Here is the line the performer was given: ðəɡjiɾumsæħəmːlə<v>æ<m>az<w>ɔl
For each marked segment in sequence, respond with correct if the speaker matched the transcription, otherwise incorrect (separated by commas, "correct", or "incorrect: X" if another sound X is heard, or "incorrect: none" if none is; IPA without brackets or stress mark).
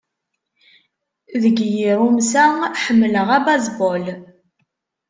incorrect: ʁ, incorrect: b, incorrect: b